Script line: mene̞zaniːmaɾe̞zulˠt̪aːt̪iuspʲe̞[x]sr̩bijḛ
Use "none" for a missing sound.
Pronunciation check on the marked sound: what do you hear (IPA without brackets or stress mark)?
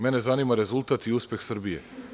x